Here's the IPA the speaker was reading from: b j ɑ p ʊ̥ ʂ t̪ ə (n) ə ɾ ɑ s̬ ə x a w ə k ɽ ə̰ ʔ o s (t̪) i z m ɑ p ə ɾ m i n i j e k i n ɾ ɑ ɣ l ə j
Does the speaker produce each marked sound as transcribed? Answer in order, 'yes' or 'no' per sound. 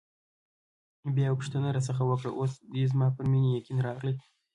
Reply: yes, no

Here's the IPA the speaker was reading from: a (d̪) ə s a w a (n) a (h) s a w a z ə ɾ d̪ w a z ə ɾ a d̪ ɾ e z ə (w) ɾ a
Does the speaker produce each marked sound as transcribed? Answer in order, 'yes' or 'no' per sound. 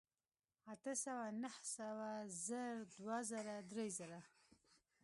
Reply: no, yes, yes, no

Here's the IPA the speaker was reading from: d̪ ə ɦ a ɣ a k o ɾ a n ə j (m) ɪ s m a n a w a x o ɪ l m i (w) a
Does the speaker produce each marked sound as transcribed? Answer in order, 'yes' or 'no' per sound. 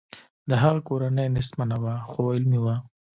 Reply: no, yes

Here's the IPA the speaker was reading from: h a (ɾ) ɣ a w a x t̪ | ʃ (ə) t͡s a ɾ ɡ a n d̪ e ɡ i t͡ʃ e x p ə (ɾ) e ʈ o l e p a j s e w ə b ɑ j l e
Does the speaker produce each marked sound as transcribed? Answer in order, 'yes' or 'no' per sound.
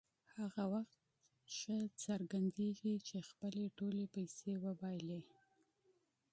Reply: no, yes, no

